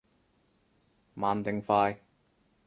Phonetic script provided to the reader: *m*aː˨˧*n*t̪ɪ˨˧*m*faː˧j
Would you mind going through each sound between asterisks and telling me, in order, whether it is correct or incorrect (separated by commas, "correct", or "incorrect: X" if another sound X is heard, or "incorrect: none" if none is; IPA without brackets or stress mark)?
correct, correct, incorrect: ŋ